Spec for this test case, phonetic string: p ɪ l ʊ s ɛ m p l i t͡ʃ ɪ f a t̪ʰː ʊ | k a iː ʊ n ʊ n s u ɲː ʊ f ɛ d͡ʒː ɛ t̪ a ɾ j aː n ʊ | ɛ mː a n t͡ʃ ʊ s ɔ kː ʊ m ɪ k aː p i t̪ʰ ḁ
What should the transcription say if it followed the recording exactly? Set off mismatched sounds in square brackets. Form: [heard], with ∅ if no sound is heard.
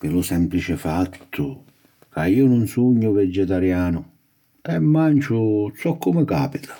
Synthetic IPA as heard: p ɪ l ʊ s ɛ m p l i t͡ʃ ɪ f a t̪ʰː ʊ | k a iː ʊ n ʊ n s u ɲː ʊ [v] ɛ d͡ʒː ɛ t̪ a ɾ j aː n ʊ | ɛ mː a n t͡ʃ ʊ s ɔ kː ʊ m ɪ k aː p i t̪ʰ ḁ